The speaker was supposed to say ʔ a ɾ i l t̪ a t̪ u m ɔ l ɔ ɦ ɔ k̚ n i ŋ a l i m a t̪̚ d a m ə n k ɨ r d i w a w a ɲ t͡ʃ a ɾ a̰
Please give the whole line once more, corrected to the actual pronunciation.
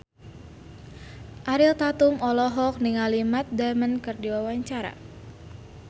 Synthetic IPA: ʔ a ɾ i l t̪ a t̪ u m ɔ l ɔ ɦ ɔ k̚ n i ŋ a l i m a t̪̚ d a m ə n k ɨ r d i w a w a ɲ t͡ʃ a ɾ a̰

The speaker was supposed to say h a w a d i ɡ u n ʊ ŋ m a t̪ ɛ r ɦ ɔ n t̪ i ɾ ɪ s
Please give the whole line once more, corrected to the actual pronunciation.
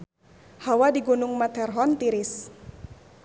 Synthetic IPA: h a w a d i ɡ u n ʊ ŋ m a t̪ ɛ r ɦ ɔ n t̪ i ɾ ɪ s

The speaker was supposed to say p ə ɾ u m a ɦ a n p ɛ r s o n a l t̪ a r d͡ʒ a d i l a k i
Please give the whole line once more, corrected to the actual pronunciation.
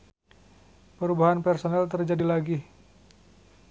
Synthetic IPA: p ə ɾ u b a ɦ a n p ɛ r s o n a l t̪ ə r d͡ʒ a d i l a ɡ i

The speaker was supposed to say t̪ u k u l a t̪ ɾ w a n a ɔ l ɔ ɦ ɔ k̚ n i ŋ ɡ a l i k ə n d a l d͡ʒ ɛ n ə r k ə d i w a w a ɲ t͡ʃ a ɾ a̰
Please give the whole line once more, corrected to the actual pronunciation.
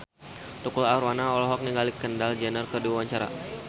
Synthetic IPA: t̪ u k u l a ɾ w a n a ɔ l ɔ ɦ ɔ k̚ n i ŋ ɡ a l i k ə n d a l d͡ʒ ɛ n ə r k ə d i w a w a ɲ t͡ʃ a ɾ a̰

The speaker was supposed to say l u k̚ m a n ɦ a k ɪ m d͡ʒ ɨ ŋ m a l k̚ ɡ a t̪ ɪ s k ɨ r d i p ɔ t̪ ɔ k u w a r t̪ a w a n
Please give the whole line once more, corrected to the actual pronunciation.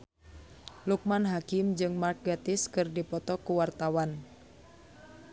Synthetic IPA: l u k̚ m a n ɦ a k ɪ m d͡ʒ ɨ ŋ m a r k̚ ɡ a t̪ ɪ s k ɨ r d i p ɔ t̪ ɔ k u w a r t̪ a w a n

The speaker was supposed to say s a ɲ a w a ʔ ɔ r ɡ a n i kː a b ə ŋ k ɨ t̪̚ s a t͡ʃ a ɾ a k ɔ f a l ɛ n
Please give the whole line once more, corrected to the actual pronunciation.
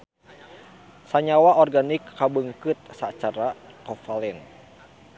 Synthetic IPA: s a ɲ a w a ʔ ɔ r ɡ a n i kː a b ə ŋ k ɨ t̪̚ s a t͡ʃ a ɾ a k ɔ f a l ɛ n

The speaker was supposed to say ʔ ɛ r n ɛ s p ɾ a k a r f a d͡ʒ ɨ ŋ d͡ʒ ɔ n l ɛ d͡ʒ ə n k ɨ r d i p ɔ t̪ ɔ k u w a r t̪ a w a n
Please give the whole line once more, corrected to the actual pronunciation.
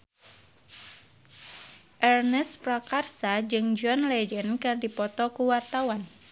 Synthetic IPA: ʔ ɛ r n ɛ s p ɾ a k a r s a d͡ʒ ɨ ŋ d͡ʒ ɔ n l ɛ d͡ʒ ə n k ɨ r d i p ɔ t̪ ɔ k u w a r t̪ a w a n

